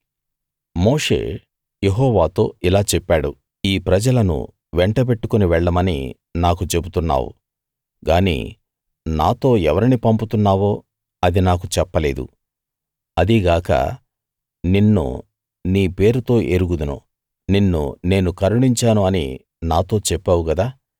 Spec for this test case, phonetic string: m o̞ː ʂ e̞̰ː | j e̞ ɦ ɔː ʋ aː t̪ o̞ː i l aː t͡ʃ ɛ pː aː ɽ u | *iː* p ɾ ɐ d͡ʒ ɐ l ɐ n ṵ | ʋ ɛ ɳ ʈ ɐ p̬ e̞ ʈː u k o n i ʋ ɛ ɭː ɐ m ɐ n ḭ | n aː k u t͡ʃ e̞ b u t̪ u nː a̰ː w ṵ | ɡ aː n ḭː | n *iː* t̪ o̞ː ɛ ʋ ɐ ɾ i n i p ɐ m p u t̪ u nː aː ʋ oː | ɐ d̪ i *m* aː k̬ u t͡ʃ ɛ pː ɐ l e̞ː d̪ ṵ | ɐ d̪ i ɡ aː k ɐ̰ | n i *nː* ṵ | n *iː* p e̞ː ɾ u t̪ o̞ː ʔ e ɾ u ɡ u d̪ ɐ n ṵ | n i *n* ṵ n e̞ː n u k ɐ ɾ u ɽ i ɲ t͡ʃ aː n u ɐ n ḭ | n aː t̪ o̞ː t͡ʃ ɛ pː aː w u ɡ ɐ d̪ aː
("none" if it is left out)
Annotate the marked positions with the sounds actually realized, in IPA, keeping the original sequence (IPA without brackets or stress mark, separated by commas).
iː, aː, n, nː, iː, nː